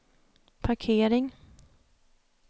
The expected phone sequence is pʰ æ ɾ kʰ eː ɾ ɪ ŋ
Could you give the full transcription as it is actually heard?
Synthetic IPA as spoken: pʰ a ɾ kʰ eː ɾ ɪ ŋ